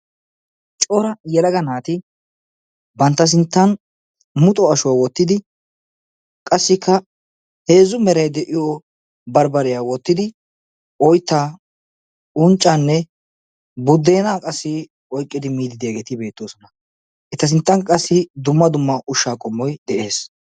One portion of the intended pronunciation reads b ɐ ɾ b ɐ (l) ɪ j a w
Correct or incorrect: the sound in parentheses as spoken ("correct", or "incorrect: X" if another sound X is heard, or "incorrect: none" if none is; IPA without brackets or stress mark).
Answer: incorrect: ɾ